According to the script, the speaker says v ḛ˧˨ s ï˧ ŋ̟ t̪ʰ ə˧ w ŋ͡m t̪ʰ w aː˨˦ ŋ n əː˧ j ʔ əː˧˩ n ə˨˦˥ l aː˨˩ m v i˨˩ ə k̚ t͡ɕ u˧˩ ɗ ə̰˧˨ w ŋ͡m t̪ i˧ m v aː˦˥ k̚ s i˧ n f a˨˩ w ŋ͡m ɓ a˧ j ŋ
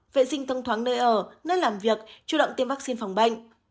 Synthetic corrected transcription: v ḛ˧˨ s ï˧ ŋ̟ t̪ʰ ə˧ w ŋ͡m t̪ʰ w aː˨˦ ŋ n əː˧ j ʔ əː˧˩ n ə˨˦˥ l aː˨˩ m v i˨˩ ə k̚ t͡ɕ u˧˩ ɗ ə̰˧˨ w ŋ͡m t̪ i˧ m v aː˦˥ k̚ s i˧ n f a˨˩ w ŋ͡m ɓ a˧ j ŋ

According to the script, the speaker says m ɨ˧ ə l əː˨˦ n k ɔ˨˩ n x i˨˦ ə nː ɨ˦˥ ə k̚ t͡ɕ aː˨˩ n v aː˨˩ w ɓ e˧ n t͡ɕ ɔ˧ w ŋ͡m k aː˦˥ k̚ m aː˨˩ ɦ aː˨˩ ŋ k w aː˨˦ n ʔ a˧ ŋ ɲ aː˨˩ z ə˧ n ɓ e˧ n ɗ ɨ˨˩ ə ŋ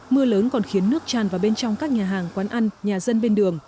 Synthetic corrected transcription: m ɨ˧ ə l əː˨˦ n k ɔ˨˩ n x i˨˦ ə nː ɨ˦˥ ə k̚ t͡ɕ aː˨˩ n v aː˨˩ w ɓ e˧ n t͡ɕ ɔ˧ w ŋ͡m k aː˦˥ k̚ ɲ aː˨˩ ɦ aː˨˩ ŋ k w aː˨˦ n ʔ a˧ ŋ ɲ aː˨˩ z ə˧ n ɓ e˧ n ɗ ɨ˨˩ ə ŋ

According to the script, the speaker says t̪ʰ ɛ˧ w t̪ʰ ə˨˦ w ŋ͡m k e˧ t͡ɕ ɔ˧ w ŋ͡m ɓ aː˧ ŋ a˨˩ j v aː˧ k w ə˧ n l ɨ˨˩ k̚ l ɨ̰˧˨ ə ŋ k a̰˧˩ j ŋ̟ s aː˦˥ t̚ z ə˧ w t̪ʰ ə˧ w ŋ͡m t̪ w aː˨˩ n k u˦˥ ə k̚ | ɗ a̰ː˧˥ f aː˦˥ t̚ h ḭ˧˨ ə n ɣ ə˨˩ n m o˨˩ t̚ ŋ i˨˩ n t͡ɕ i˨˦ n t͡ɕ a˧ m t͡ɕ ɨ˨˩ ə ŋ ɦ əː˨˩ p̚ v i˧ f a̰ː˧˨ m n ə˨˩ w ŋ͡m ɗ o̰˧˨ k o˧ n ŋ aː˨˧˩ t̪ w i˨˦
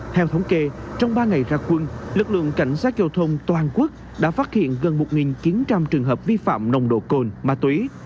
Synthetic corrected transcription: t̪ʰ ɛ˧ w t̪ʰ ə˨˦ w ŋ͡m k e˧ t͡ɕ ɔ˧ w ŋ͡m ɓ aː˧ ŋ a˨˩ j z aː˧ k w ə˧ n l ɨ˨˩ k̚ l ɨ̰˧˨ ə ŋ k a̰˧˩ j ŋ̟ s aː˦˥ t̚ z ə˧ w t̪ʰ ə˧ w ŋ͡m t̪ w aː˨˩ n k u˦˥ ə k̚ | ɗ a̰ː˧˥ f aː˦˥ t̚ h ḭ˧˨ ə n ɣ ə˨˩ n m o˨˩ t̚ ŋ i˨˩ n t͡ɕ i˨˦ n t͡ɕ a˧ m t͡ɕ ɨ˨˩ ə ŋ ɦ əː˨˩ p̚ v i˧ f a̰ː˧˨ m n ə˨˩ w ŋ͡m ɗ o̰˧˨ k o˧ n m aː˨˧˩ t̪ w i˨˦

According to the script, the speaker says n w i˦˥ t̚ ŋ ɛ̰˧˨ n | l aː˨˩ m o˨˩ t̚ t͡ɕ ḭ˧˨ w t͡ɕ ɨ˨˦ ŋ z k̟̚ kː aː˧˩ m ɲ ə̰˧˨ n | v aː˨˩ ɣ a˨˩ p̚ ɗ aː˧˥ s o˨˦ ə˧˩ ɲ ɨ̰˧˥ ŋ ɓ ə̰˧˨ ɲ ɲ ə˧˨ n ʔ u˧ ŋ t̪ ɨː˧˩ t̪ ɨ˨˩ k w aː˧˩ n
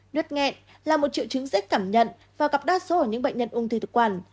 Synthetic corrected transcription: n w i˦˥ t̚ ŋ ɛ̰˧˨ n | l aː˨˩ m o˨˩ t̚ t͡ɕ ḭ˧˨ w t͡ɕ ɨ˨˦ ŋ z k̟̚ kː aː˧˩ m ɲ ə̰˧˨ n | v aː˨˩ ɣ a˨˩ p̚ ɗ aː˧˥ s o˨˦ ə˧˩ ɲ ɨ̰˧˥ ŋ ɓ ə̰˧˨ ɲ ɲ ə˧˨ n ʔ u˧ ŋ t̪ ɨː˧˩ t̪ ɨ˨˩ k w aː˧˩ n

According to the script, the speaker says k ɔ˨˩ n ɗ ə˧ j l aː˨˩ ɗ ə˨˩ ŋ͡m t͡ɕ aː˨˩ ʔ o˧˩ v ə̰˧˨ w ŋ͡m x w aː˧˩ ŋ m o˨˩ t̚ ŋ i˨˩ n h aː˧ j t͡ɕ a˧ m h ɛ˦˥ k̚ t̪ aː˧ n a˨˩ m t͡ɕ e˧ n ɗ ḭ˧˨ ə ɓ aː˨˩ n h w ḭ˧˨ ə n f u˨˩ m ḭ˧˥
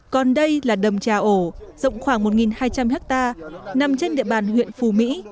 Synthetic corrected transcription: k ɔ˨˩ n ɗ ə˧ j l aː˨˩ ɗ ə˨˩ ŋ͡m t͡ɕ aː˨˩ ʔ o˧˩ z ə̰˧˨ w ŋ͡m x w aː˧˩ ŋ m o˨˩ t̚ ŋ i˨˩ n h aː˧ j t͡ɕ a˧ m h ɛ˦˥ k̚ t̪ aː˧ n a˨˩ m t͡ɕ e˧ n ɗ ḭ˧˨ ə ɓ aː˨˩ n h w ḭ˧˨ ə n f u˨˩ m ḭ˧˥

